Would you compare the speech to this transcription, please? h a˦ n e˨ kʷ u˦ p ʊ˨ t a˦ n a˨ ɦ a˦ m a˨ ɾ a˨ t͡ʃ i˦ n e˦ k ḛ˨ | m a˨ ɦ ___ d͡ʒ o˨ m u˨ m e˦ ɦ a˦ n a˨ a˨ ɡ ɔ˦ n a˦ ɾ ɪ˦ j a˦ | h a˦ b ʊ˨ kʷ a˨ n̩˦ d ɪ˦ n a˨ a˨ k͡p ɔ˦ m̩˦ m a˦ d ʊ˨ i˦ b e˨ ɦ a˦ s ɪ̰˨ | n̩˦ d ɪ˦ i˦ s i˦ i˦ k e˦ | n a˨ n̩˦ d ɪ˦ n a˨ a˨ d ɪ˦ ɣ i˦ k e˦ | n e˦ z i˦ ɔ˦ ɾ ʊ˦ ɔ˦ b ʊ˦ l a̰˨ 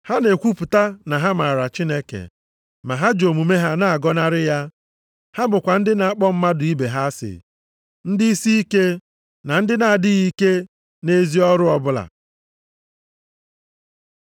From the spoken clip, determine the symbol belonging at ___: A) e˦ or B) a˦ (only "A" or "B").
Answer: B